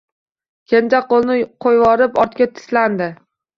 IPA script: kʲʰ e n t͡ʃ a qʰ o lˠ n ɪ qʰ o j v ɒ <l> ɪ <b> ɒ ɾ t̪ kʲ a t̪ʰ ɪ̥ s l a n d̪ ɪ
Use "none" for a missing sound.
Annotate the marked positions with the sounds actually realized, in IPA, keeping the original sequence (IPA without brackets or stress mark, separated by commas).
ɾ, p